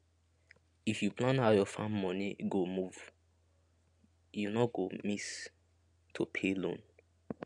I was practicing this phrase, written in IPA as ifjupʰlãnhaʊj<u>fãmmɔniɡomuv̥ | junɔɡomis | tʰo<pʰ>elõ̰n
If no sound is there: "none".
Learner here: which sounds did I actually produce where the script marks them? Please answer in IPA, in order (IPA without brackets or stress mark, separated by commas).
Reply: ɔ, pʰ